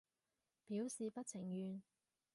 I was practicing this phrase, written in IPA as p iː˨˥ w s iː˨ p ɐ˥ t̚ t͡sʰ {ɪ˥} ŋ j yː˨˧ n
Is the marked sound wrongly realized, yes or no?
yes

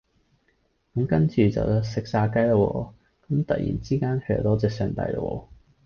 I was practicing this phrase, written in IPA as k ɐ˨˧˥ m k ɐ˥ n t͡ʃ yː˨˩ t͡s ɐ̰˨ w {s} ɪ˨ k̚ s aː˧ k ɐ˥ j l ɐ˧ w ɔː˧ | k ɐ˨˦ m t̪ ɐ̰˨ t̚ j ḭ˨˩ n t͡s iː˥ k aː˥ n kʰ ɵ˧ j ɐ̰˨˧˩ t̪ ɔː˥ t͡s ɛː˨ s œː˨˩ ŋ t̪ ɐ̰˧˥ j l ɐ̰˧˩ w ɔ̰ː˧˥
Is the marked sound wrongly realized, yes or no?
no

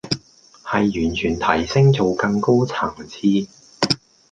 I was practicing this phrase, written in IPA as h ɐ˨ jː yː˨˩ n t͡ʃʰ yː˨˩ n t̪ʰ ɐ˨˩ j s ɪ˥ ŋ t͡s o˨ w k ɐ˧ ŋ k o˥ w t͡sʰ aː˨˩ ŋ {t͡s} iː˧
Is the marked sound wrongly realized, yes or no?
yes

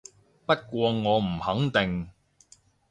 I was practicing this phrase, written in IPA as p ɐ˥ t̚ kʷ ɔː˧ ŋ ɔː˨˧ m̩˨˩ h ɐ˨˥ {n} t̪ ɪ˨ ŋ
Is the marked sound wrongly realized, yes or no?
yes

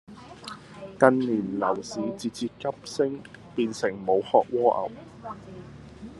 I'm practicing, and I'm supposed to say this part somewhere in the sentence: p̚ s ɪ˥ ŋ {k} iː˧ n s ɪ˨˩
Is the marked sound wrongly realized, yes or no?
yes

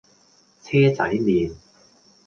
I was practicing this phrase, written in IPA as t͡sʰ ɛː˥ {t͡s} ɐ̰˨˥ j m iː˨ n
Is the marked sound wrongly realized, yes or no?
no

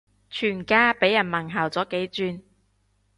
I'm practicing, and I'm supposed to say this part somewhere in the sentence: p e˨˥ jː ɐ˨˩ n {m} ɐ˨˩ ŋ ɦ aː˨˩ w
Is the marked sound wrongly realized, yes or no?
no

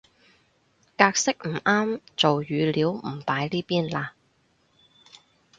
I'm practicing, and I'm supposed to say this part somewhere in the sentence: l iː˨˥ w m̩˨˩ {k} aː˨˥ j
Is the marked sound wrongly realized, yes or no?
yes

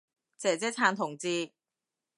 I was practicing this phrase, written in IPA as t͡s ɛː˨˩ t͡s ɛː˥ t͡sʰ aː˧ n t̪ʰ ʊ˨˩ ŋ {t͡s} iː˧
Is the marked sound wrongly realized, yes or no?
no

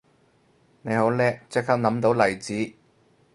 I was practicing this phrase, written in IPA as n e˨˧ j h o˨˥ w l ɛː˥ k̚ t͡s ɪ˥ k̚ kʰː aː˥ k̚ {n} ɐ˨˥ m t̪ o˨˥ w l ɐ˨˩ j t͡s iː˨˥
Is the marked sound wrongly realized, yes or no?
no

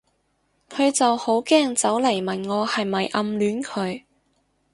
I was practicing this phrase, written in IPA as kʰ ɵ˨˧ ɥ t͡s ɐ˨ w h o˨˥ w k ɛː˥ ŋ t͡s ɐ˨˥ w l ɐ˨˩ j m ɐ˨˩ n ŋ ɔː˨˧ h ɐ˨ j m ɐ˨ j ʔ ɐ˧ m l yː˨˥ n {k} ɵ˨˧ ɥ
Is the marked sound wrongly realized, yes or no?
yes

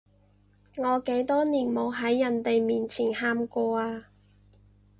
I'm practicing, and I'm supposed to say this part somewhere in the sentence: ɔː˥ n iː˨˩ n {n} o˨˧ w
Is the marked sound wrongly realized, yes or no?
yes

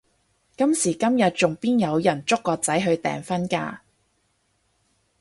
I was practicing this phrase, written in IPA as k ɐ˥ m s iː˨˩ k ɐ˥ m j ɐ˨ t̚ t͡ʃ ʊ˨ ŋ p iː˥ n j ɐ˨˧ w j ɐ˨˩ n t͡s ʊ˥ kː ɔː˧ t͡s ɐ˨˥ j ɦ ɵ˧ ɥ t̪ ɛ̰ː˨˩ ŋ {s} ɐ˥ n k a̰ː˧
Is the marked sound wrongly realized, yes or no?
yes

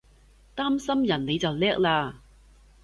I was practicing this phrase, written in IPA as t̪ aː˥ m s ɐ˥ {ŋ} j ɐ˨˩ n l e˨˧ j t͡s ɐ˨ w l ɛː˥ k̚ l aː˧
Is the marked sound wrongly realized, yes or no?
yes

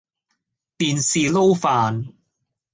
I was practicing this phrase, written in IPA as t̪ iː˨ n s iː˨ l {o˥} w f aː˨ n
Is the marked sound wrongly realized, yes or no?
no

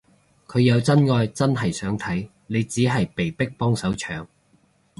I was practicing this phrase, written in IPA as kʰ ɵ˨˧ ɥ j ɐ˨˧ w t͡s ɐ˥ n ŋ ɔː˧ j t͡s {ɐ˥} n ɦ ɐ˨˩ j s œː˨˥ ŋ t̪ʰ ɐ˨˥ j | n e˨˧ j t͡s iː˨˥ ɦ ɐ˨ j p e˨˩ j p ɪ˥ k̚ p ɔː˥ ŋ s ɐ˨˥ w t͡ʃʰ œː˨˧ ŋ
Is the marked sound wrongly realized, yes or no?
no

